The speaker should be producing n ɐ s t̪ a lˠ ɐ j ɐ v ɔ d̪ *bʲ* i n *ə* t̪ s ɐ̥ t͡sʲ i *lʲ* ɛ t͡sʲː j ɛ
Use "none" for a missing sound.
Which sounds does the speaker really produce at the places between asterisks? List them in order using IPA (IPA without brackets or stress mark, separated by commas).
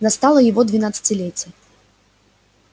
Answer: vʲ, a, lʲ